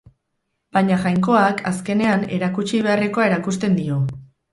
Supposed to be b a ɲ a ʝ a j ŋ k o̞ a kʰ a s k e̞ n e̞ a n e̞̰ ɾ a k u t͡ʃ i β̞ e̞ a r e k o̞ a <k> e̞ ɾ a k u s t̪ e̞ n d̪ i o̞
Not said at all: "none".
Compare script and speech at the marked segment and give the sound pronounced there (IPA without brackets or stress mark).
none